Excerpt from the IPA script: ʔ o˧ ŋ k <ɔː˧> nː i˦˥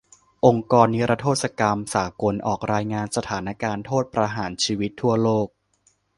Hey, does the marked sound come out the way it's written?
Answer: yes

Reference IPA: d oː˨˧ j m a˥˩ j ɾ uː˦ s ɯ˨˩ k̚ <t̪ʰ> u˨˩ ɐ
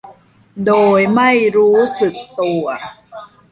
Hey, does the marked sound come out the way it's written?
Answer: no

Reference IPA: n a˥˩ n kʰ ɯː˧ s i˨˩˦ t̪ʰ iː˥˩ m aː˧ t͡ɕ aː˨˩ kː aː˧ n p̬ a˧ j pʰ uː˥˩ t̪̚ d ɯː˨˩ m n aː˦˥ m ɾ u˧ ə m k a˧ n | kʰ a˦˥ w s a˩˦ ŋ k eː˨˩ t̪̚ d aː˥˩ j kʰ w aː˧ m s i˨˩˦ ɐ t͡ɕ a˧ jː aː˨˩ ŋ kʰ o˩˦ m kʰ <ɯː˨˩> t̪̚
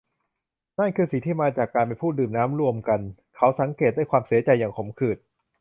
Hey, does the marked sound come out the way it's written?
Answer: yes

